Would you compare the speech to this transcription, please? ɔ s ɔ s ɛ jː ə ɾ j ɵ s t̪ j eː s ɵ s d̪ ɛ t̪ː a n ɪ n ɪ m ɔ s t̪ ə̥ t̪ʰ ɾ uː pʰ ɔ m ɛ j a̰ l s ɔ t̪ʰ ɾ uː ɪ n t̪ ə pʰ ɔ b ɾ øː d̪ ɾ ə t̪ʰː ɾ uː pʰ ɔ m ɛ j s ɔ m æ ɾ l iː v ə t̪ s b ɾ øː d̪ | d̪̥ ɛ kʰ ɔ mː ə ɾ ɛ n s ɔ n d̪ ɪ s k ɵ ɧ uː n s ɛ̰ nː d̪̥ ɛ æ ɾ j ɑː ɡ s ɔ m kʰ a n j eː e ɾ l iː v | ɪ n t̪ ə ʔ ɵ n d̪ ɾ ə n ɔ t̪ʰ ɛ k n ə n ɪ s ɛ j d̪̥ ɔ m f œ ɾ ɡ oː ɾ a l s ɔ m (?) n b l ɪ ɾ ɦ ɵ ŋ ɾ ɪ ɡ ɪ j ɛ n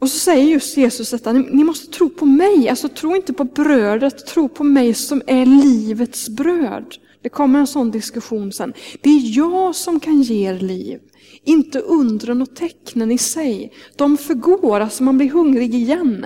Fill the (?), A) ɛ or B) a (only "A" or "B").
B